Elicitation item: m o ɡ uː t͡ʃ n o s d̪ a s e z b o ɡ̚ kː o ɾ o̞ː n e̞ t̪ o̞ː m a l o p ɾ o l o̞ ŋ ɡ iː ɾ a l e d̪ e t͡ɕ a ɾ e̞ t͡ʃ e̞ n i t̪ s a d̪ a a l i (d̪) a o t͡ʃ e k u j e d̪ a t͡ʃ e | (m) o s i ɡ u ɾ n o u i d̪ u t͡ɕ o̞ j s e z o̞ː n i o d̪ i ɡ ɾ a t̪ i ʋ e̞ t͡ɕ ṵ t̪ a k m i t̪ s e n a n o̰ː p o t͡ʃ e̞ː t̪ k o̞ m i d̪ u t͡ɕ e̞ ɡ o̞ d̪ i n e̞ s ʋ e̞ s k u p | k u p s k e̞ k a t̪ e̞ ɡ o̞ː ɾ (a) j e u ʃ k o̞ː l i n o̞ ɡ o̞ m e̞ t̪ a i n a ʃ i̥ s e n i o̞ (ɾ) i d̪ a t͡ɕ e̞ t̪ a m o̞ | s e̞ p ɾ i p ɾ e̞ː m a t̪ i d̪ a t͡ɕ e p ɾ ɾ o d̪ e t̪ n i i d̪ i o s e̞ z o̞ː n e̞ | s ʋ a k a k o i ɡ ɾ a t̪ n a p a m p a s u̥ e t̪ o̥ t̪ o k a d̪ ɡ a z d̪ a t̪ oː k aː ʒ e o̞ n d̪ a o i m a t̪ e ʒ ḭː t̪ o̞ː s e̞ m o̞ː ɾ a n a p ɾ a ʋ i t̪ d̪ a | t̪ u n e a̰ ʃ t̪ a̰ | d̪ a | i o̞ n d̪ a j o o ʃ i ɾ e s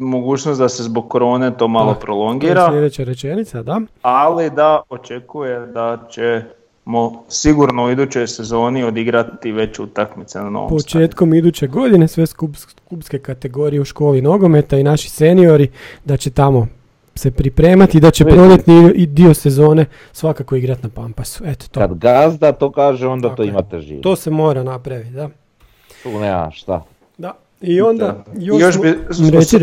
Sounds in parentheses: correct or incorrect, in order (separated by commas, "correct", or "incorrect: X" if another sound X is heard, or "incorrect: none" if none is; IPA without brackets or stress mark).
correct, correct, incorrect: i, correct